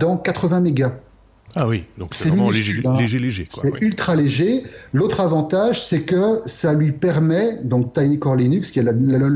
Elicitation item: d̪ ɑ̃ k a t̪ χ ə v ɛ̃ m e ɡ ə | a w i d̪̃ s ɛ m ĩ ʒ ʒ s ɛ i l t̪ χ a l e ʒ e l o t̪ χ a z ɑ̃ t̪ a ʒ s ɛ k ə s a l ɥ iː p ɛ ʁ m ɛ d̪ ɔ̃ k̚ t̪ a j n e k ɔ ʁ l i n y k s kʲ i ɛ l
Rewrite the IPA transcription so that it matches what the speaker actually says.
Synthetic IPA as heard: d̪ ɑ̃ k a t̪ χ ə v ɛ̃ m e ɡ a | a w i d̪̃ s ɛ m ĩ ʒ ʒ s ɛ y l t̪ χ a l e ʒ e l o t̪ χ a v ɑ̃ t̪ a ʒ s ɛ k ə s a l ɥ i p ɛ ʁ m ɛ d̪ ɔ̃ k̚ t̪ a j n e k ɔ ʁ l i n y k s kʲ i ɛ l